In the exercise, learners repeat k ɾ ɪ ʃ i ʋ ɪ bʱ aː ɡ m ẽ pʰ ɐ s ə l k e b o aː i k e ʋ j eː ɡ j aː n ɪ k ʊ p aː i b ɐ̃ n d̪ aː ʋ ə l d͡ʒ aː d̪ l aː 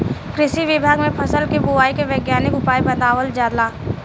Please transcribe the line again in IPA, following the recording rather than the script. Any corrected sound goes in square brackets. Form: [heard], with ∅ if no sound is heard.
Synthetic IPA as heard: k ɾ ɪ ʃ i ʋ ɪ bʱ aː ɡ m ẽ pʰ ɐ s ə l k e b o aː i k e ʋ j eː ɡ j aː n ɪ k ʊ p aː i b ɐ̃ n d̪ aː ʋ ə l d͡ʒ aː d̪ l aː